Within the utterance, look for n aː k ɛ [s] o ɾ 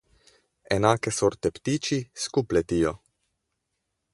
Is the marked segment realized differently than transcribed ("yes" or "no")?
no